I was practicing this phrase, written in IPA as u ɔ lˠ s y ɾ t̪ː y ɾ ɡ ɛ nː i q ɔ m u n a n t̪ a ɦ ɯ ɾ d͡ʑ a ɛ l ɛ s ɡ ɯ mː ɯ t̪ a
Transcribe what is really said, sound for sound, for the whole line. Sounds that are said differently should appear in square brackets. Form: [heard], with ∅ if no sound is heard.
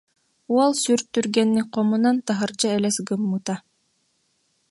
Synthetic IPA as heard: u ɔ lˠ s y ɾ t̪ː y ɾ ɡ ɛ nː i q ɔ m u n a n t̪ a ɦ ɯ ɾ d͡ʑ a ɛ l ɛ s ɡ ɯ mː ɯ t̪ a